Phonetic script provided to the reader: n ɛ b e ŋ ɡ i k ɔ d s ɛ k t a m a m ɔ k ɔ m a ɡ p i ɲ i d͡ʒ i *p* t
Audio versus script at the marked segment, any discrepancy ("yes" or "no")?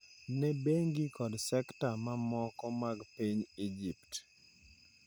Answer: no